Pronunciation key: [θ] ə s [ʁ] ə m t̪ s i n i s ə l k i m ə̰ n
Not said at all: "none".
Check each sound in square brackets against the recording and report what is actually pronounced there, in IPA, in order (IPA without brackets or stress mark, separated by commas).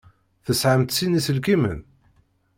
θ, ʕ